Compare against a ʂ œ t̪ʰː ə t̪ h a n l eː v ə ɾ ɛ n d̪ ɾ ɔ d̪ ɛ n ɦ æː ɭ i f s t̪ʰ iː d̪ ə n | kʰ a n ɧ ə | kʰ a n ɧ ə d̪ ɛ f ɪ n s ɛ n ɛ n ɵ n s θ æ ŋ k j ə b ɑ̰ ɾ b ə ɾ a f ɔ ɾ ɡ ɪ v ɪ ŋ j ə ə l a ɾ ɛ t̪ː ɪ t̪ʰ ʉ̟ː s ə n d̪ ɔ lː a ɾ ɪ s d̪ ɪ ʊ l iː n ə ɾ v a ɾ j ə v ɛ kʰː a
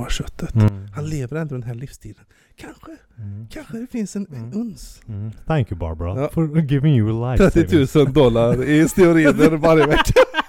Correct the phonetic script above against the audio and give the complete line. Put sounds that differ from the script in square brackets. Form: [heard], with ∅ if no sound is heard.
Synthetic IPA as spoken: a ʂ œ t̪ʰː ə t̪ h a n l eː v ə ɾ ɛ n d̪ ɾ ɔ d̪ ɛ n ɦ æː ɭ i f s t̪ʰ iː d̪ ə n | kʰ a n ɧ ə | kʰ a n ɧ ə d̪ ɛ f ɪ n s ɛ n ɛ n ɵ n s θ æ ŋ k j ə b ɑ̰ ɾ b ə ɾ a f ɔ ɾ ɡ ɪ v ɪ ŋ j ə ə l a ɾ ɛ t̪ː ɪ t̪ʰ ʉ̟ː s ə n d̪ ɔ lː a ɾ ɪ s [t̪] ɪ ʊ [ɾ] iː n ə ɾ v a ɾ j ə v ɛ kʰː a